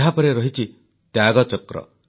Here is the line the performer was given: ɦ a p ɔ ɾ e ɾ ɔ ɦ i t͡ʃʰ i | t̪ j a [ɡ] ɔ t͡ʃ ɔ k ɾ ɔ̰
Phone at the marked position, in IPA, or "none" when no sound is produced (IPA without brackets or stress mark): ɡ